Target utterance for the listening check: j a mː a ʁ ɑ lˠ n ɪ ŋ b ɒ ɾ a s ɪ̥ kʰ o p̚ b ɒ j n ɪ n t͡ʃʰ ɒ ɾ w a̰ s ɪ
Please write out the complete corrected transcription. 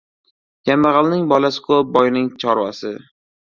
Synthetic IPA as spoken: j a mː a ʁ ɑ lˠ n ɪ ŋ b ɒ l a s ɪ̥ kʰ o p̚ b ɒ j n ɪ ŋ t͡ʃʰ ɒ ɾ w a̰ s ɪ